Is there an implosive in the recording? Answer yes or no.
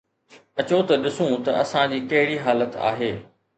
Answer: yes